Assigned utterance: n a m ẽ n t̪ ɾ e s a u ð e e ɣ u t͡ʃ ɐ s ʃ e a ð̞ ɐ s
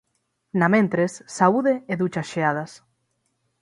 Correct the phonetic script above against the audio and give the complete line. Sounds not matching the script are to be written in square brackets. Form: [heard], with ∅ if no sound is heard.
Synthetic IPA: n a m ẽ n t̪ ɾ e [sː] a u ð e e [ð] u t͡ʃ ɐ s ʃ e a ð̞ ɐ s